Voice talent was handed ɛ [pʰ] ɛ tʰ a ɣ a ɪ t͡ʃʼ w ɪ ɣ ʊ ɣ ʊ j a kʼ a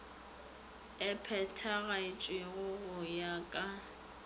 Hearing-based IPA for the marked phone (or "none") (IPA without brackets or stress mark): pʰ